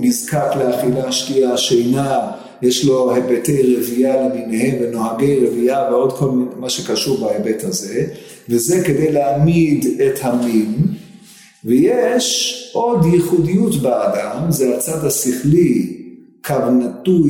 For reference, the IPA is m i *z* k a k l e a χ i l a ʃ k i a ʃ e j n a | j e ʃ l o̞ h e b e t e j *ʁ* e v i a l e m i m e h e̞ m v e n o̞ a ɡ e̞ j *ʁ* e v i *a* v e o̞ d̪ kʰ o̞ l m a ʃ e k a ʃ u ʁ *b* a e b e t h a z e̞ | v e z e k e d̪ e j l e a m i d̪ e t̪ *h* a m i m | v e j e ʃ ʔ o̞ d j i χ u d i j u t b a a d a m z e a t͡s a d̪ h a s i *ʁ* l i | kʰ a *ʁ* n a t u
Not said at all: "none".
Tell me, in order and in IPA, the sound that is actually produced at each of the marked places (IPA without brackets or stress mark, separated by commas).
z, ʁ, ʁ, a, b, h, χ, v